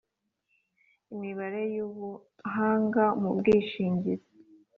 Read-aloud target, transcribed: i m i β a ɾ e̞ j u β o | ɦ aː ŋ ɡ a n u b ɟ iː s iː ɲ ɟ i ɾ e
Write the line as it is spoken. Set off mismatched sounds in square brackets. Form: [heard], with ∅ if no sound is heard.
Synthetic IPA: i m i β a ɾ e̞ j u β [u] | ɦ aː ŋ ɡ a [m] u b [ɡ] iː [ʃ] iː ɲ ɟ i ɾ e